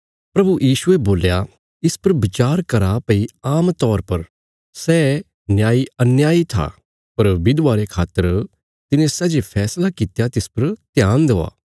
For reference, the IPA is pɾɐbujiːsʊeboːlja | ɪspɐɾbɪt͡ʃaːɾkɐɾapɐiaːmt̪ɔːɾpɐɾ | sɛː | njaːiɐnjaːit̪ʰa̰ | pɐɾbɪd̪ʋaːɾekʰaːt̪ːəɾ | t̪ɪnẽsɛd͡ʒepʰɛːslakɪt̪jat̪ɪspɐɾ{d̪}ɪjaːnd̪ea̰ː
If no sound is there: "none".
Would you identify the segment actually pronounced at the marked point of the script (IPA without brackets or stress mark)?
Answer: t̪